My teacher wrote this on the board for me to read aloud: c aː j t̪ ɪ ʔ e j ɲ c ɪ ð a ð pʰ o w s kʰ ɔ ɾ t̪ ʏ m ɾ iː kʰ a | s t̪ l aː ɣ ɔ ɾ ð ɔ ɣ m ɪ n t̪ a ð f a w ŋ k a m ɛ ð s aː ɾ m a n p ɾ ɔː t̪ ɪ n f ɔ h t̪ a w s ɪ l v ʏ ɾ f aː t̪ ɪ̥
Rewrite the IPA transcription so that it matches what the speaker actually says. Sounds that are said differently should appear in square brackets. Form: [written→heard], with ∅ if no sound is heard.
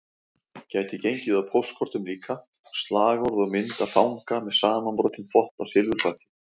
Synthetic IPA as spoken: c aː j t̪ ɪ [ʔ→c] e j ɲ c ɪ ð a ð pʰ o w s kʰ ɔ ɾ t̪ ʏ m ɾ iː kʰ a | s t̪ l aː ɣ ɔ ɾ ð ɔ ɣ m ɪ n t̪ a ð f a w ŋ k a m ɛ ð s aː [ɾ→∅] m a n p ɾ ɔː t̪ ɪ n f ɔ h t̪ a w s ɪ l v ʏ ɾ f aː t̪ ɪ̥